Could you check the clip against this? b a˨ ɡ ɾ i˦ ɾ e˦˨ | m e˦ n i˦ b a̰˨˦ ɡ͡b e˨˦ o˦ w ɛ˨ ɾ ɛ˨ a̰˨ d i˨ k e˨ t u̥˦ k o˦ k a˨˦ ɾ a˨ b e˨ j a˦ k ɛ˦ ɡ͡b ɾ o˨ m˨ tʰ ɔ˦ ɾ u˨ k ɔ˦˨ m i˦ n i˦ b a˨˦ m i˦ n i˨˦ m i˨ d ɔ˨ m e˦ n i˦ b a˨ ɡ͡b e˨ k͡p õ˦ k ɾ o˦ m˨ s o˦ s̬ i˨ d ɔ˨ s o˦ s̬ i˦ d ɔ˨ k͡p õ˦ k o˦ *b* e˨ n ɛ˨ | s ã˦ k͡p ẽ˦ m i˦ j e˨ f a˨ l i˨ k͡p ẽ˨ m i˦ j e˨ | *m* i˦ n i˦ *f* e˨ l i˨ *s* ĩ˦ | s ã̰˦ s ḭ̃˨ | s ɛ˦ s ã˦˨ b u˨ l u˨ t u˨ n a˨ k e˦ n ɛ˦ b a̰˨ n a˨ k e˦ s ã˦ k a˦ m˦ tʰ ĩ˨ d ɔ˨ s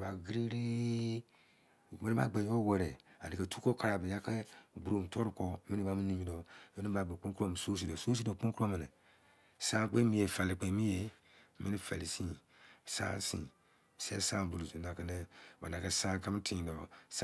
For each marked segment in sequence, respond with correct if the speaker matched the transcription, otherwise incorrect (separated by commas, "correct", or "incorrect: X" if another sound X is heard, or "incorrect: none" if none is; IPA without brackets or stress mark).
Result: incorrect: m, correct, correct, correct